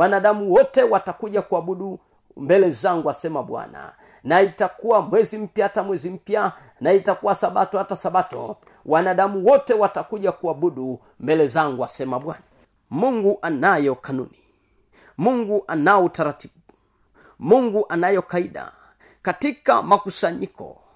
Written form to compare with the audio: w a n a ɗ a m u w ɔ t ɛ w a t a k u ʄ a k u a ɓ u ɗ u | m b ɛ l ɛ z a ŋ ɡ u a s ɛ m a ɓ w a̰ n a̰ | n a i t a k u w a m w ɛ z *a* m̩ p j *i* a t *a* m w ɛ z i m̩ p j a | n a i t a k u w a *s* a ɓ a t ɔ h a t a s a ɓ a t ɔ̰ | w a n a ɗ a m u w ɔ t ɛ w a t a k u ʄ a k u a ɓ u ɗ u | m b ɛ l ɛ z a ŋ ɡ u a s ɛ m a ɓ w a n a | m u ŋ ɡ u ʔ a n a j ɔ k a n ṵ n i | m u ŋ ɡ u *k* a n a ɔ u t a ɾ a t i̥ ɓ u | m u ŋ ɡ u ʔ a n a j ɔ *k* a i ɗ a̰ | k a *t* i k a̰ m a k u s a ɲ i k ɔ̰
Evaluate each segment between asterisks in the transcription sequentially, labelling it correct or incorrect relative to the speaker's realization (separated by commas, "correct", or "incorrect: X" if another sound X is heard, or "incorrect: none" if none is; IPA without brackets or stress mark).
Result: incorrect: i, incorrect: a, correct, correct, incorrect: ʔ, correct, correct